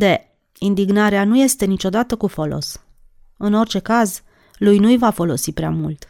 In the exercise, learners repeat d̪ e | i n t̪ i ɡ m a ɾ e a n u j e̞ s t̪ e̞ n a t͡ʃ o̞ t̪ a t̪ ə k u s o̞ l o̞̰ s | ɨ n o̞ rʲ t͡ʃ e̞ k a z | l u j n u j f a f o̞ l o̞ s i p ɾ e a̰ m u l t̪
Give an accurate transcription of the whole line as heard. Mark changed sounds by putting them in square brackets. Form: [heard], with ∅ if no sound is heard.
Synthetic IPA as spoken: d̪ e | i n [d̪] i ɡ [n] a ɾ e a n u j e̞ s t̪ e̞ n [i] t͡ʃ o̞ [d̪] a t̪ ə k u [f] o̞ l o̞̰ s | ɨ n o̞ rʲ t͡ʃ e̞ k a z | l u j n u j [v] a f o̞ l o̞ s i p ɾ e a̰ m u l t̪